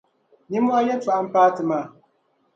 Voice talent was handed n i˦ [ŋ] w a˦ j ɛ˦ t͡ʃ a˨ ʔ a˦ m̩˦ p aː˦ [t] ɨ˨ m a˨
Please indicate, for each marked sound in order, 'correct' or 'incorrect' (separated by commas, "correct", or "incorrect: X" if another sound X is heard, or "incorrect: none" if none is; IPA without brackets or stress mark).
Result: incorrect: m, correct